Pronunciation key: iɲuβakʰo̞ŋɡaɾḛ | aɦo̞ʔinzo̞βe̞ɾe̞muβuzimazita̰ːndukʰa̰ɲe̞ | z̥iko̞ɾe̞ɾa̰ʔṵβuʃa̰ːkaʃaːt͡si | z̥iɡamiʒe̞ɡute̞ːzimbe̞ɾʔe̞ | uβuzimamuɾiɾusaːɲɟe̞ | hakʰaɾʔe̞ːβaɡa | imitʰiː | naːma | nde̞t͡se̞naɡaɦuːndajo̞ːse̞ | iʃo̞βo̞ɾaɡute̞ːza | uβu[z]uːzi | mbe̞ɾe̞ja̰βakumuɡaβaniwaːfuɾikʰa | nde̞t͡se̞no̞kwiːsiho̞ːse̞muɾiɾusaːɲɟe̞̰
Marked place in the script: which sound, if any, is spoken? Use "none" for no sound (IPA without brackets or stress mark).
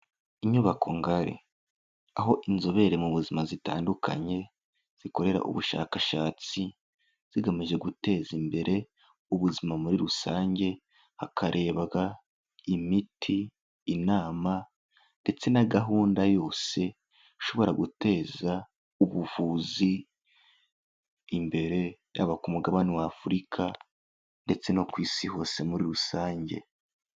v